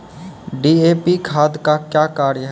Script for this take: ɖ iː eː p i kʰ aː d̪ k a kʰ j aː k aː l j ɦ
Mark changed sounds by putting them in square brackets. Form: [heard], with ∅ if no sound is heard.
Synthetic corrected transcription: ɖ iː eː p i kʰ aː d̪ k a [k] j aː k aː [ɾ] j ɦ